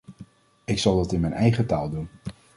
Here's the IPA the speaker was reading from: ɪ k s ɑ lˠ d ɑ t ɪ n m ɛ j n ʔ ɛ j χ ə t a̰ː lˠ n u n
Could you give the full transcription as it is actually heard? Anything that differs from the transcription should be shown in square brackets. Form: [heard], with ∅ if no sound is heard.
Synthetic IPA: ɪ k s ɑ lˠ d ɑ t ɪ n m ɛ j n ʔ ɛ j χ ə t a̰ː lˠ [d] u n